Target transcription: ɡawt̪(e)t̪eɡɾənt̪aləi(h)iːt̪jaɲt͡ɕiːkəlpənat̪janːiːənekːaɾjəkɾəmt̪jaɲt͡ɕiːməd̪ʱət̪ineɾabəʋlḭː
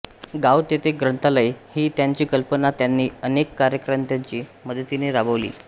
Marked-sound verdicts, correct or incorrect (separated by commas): correct, correct